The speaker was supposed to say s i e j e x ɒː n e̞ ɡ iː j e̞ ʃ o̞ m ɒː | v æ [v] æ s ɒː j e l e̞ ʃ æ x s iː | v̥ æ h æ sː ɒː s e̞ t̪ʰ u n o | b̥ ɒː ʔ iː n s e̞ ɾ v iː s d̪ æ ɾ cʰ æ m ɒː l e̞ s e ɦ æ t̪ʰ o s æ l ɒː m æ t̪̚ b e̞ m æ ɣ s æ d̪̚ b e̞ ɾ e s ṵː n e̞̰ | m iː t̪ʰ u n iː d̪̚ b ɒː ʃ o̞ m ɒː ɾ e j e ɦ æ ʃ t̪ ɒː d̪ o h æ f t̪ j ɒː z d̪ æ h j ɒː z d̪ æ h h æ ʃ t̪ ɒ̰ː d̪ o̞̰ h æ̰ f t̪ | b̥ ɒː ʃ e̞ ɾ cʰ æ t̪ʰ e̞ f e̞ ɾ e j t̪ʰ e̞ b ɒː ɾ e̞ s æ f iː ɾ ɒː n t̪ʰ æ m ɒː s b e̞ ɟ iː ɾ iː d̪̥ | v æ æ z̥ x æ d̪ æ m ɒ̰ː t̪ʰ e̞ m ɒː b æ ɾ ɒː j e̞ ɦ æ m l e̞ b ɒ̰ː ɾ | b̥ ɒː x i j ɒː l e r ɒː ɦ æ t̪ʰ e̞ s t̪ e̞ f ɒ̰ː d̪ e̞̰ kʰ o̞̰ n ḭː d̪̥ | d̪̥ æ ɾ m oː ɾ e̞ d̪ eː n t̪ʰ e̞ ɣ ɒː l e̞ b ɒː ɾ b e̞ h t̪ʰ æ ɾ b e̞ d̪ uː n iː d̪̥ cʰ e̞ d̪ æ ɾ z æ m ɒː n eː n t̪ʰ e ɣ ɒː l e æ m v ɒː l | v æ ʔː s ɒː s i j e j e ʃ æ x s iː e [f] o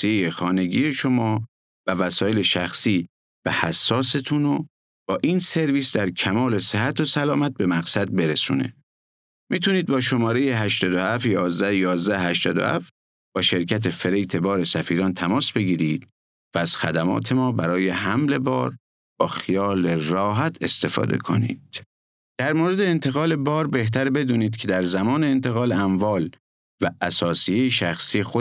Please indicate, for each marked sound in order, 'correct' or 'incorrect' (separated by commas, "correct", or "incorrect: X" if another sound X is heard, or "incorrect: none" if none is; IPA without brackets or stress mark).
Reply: correct, incorrect: x